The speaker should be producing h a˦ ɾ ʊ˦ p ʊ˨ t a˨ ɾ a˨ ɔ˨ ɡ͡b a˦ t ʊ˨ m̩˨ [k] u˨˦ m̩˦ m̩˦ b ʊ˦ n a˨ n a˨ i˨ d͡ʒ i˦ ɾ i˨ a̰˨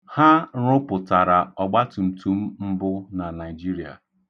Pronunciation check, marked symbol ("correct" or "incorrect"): incorrect